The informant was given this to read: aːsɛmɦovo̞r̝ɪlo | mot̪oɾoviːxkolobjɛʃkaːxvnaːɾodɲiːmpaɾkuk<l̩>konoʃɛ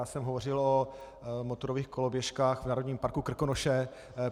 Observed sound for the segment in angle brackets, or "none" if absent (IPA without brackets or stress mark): r̩